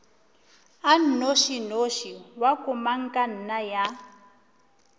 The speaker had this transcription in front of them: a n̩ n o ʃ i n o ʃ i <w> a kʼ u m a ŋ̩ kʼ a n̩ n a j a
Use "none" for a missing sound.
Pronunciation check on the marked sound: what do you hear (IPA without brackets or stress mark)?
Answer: w